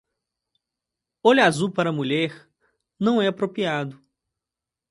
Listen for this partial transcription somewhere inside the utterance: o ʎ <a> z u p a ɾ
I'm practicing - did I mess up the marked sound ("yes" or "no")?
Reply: no